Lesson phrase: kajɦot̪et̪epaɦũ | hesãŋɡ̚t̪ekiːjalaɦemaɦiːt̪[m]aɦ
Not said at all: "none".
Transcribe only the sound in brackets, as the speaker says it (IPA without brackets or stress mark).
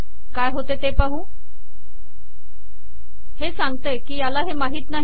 n